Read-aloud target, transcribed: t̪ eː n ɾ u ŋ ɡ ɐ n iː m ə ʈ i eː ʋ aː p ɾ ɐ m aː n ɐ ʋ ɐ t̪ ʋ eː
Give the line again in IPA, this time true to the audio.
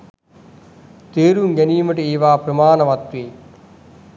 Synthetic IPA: t̪ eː ɾ u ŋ ɡ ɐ n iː m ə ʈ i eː ʋ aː p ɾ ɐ m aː n ɐ ʋ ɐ t̪ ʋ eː